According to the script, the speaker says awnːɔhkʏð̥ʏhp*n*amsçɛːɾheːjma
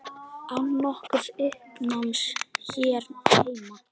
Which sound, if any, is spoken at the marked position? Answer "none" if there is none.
n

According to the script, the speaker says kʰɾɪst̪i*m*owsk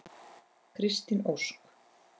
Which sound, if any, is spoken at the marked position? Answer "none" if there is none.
n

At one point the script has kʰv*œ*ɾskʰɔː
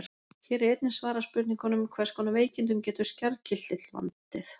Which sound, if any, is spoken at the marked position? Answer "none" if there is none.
ɛ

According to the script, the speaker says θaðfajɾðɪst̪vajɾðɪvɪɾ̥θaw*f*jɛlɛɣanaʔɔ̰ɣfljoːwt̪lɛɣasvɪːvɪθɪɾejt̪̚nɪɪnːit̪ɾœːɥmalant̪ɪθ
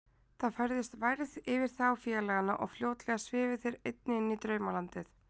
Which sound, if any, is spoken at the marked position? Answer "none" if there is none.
f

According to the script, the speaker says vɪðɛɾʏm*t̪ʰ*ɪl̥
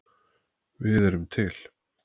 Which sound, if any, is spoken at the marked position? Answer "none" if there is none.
t̪ʰ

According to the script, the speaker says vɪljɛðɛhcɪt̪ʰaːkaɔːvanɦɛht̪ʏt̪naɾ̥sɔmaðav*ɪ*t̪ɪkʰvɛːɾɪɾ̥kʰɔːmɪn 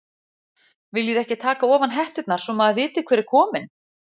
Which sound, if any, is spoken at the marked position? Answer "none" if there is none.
ɪː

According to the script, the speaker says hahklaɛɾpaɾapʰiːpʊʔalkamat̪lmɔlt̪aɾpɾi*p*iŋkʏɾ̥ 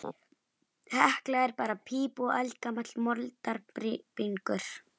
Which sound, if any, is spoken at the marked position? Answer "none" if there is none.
p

